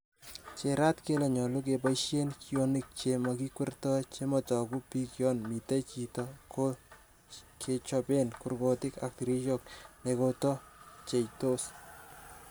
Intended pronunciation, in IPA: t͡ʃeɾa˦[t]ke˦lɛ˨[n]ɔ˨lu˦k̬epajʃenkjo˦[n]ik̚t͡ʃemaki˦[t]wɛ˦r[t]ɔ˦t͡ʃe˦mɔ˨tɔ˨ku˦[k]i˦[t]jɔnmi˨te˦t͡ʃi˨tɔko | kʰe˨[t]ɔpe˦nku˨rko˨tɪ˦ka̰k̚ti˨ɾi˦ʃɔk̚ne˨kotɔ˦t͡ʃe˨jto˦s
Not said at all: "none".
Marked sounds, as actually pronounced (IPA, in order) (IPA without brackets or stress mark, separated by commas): t, ɲ, n, k, t, p, k, t͡ʃ